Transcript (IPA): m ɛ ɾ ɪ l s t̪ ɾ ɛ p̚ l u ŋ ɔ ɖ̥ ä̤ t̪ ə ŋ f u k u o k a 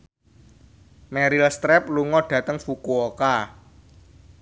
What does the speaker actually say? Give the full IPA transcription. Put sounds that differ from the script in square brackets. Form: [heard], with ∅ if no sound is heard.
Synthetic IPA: m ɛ ɾ [i] l s t̪ ɾ ɛ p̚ l u ŋ ɔ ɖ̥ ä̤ t̪ ə ŋ f u k u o k a